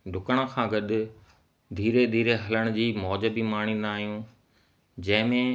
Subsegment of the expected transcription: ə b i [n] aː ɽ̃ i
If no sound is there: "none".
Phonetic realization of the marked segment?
m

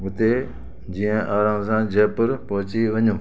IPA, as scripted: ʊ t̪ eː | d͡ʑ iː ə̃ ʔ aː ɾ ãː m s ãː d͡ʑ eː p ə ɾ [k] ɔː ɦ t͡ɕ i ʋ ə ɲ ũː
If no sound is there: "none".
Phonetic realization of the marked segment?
p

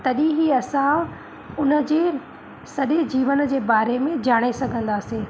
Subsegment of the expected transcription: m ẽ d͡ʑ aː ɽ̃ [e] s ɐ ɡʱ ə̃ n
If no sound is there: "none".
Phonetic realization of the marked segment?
e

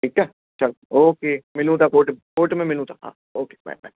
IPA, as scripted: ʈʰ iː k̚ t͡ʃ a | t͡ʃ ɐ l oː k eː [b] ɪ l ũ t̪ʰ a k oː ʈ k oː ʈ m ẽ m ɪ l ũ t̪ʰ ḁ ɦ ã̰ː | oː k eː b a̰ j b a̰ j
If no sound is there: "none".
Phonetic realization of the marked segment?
m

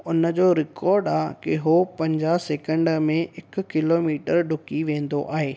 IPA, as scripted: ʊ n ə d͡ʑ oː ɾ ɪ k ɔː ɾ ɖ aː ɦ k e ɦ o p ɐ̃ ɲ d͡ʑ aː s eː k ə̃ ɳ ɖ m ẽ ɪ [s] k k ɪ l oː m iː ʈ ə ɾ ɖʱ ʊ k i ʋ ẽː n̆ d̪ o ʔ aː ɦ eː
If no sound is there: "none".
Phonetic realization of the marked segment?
none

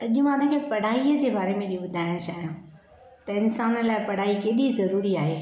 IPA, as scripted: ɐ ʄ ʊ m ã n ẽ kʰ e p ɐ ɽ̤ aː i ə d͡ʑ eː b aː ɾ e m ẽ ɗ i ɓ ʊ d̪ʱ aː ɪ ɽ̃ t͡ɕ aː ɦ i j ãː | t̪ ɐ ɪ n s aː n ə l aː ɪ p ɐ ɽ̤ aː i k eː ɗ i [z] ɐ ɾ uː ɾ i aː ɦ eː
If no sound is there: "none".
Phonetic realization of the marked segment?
z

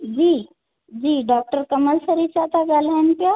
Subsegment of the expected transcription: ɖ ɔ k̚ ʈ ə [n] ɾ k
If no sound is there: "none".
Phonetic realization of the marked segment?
none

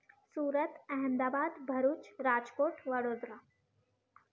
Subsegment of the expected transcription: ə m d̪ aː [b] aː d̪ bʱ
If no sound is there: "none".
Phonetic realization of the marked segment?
b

